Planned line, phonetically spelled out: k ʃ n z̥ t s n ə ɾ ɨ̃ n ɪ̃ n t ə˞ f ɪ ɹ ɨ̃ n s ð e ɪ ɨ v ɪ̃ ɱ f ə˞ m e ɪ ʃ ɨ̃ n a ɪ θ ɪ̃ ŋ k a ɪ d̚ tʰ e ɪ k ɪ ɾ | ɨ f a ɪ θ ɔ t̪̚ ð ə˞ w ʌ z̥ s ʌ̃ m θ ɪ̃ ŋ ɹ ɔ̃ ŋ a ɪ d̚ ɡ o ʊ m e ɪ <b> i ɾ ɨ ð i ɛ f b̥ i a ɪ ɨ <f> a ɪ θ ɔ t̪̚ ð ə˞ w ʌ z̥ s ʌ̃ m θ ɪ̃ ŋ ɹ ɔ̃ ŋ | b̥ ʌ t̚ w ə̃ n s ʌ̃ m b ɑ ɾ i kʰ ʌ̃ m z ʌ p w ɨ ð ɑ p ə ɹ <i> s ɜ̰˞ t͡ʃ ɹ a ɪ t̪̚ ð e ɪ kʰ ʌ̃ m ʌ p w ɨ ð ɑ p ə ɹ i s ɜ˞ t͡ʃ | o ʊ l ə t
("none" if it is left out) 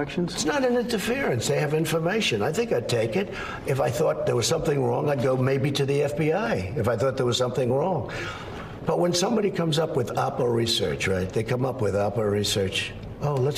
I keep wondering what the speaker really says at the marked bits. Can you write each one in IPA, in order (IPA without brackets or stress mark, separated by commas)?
b, f, i